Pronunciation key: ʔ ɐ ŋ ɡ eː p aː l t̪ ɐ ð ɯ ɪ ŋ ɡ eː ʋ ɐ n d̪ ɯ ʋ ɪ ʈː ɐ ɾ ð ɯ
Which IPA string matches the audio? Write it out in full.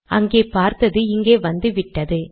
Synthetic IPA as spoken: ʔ ɐ ŋ ɡ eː p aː ɾ t̪ ɐ ð ɯ ɪ ŋ ɡ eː ʋ ɐ n d̪ ɯ ʋ ɪ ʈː ɐ ð ɯ